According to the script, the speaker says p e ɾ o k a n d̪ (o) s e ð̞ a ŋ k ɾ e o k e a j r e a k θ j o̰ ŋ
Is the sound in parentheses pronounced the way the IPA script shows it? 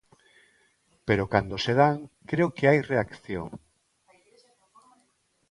yes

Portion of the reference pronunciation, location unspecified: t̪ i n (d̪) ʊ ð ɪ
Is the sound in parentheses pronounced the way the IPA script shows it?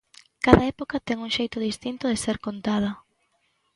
no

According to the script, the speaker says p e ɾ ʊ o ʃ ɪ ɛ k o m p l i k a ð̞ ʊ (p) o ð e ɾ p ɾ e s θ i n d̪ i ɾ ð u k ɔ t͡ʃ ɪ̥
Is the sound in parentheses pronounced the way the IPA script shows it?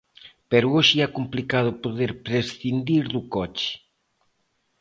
yes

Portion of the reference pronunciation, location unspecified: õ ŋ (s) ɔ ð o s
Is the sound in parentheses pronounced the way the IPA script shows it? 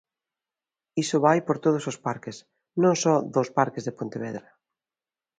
yes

